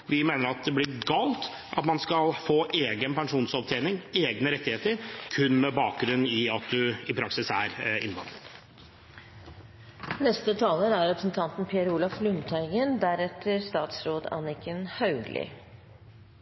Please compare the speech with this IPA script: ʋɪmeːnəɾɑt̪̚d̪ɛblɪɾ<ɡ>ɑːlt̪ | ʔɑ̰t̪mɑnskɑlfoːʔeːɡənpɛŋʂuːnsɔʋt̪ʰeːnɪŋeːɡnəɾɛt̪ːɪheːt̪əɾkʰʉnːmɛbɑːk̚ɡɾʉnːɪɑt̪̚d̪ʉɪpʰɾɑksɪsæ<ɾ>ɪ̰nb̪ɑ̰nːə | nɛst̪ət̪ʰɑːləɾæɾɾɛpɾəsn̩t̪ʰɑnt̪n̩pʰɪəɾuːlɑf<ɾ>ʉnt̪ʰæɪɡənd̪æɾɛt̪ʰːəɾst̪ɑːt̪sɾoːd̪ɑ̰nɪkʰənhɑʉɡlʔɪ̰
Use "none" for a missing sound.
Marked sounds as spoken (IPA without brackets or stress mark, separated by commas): ɡ, ɾ, l